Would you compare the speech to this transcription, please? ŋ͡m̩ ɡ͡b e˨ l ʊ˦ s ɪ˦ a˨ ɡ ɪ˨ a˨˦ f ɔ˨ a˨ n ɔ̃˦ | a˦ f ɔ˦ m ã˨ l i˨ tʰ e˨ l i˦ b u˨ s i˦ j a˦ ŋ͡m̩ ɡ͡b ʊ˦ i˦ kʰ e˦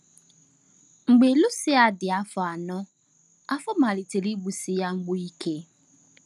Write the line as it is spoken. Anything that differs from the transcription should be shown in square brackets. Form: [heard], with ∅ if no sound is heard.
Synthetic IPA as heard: ŋ͡m̩ ɡ͡b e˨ l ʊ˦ s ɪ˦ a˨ [d] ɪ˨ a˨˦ f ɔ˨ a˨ n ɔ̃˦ | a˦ f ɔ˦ m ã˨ l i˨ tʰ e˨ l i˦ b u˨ s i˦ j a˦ ŋ͡m̩ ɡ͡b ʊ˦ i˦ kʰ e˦